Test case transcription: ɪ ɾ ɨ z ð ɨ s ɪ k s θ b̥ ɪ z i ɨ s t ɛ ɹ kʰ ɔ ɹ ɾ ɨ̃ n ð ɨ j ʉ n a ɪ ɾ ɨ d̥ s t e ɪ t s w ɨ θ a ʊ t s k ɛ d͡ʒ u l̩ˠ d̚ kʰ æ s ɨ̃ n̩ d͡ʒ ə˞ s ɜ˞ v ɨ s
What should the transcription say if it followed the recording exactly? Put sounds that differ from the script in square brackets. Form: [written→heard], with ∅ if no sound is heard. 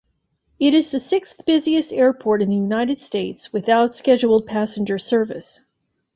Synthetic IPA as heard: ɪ ɾ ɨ z ð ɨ s ɪ k s θ b̥ ɪ z i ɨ s t ɛ ɹ [kʰ→pʰ] ɔ ɹ ɾ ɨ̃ n ð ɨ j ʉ n a ɪ ɾ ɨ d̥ s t e ɪ t s w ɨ θ a ʊ t s k ɛ d͡ʒ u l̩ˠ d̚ [kʰ→pʰ] æ s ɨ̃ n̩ d͡ʒ ə˞ s ɜ˞ v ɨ s